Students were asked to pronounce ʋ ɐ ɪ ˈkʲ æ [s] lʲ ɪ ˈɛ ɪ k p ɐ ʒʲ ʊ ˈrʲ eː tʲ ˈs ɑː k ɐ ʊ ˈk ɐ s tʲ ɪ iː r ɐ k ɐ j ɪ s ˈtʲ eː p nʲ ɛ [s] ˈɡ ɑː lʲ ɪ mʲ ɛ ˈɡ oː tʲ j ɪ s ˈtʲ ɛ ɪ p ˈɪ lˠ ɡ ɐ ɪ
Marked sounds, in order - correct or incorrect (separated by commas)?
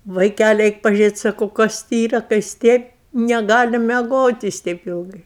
incorrect, incorrect